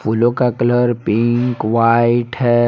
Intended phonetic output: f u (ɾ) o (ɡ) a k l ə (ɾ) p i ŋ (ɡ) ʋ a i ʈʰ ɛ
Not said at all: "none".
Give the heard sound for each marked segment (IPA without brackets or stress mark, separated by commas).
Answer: l, k, ɾ, k